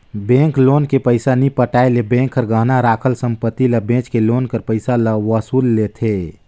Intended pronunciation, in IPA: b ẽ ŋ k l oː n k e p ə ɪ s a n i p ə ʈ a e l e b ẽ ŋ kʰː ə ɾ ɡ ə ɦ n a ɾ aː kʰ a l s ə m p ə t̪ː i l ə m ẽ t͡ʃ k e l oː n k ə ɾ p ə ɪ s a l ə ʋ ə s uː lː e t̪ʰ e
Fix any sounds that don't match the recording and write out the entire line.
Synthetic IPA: b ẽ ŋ k l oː n k e p ə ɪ s a n i p ə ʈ a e l e b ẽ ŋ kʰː ə ɾ ɡ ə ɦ n a ɾ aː kʰ ə l s ə m p ə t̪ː i l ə b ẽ t͡ʃ k e l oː n k ə ɾ p ə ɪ s a l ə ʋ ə s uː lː e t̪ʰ e